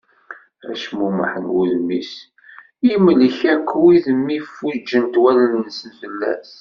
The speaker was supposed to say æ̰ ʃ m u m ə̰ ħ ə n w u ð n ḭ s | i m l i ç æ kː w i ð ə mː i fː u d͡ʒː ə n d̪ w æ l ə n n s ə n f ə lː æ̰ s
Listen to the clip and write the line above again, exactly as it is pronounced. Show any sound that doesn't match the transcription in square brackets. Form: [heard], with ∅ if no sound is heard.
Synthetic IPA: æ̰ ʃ m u m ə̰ ħ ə n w u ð [m] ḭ s | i m l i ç æ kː w i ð ə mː i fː u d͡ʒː ə n [t̪] w æ l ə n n s ə n f ə lː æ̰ s